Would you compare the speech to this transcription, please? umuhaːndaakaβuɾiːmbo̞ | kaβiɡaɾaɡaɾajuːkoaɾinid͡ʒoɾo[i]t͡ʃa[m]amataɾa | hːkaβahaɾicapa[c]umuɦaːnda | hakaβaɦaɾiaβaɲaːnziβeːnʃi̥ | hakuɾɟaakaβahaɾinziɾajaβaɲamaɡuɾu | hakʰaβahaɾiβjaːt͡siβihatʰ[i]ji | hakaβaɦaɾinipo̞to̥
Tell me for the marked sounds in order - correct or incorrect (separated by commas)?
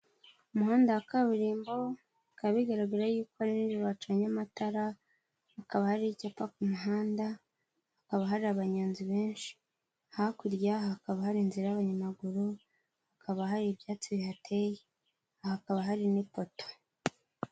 incorrect, incorrect, incorrect, incorrect